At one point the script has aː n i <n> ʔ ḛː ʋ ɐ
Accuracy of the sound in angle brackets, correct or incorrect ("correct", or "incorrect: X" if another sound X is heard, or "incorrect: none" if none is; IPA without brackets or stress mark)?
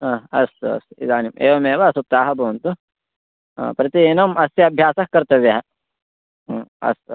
incorrect: m